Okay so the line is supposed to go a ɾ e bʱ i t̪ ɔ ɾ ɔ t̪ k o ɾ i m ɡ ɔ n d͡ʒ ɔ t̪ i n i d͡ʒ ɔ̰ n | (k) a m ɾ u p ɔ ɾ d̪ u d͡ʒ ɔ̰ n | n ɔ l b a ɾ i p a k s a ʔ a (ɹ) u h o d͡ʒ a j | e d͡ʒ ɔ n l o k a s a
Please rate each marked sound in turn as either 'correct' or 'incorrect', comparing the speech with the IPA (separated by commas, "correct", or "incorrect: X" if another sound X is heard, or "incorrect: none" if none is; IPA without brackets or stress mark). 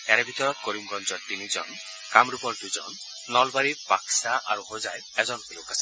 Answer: correct, incorrect: ɾ